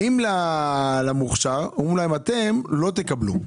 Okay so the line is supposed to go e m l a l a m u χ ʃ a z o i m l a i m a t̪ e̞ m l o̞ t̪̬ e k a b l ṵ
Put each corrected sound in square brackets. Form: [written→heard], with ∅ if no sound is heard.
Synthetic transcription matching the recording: [e→i] m l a l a m u χ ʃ a [z→ʁ] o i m l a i m a t̪ e̞ m l o̞ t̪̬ e k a b l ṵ